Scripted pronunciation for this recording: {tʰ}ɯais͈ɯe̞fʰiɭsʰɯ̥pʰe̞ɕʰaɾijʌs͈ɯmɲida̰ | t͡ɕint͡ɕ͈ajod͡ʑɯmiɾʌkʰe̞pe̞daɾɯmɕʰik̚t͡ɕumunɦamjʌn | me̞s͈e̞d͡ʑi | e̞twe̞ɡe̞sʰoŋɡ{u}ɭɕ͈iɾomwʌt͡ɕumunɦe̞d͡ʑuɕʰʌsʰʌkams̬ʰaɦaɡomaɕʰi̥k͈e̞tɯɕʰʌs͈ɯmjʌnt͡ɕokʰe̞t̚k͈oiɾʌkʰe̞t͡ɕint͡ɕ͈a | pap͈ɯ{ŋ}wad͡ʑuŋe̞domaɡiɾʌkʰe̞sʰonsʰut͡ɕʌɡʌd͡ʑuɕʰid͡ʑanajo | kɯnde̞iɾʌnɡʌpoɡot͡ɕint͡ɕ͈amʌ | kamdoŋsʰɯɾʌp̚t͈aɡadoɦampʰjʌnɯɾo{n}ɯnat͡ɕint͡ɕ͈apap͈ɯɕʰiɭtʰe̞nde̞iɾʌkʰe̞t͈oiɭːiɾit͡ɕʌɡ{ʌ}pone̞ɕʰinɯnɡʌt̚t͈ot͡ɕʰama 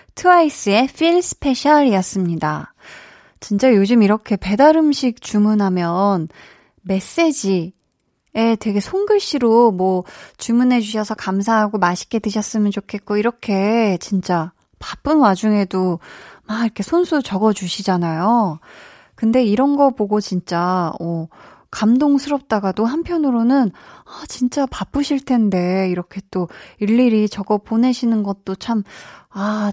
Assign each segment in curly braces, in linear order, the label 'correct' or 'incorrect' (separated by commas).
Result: correct, incorrect, incorrect, correct, correct